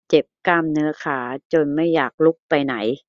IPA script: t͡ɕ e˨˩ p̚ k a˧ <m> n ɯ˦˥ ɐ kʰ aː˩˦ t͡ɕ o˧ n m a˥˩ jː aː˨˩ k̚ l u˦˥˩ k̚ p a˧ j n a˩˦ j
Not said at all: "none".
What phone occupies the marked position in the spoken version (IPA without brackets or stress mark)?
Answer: m